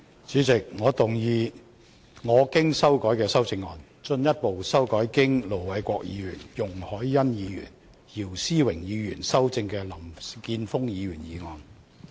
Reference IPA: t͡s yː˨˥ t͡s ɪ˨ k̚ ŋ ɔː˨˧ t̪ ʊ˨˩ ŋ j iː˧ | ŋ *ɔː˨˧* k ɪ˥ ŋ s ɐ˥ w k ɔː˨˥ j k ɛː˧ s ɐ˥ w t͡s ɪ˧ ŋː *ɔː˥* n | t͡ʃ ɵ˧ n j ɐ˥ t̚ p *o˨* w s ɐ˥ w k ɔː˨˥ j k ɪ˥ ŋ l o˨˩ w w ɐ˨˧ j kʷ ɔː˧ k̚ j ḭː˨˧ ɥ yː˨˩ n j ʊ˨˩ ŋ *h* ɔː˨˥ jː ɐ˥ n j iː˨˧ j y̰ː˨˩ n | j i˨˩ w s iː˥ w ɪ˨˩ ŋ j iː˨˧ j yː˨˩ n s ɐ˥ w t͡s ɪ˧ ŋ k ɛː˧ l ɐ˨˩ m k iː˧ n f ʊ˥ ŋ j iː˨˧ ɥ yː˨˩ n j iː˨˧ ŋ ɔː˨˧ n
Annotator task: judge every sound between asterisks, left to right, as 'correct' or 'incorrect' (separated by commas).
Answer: correct, incorrect, correct, correct